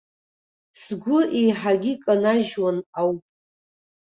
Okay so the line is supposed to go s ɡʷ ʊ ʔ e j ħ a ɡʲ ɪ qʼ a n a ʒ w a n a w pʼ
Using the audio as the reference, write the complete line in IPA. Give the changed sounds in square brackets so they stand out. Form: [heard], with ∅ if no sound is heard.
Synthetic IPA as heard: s ɡʷ ʊ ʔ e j ħ a ɡʲ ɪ [kʼ] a n a ʒ w a n a w pʼ